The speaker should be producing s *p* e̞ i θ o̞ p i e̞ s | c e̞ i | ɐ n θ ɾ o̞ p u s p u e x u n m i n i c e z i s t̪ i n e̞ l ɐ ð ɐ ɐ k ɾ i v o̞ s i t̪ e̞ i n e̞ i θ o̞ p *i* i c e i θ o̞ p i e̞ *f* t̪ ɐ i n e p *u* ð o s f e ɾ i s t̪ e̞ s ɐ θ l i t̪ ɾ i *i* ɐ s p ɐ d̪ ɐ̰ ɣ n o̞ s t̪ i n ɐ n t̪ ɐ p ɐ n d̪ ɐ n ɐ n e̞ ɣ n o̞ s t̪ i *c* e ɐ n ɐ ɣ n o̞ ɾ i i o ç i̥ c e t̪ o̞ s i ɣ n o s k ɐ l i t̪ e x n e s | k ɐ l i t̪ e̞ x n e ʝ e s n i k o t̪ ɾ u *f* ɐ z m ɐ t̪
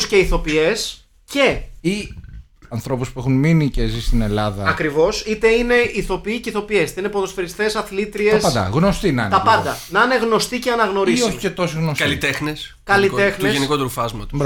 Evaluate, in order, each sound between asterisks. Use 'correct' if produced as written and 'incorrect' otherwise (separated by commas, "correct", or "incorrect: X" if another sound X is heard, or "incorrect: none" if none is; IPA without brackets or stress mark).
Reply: incorrect: c, correct, incorrect: s, incorrect: o, incorrect: e, correct, correct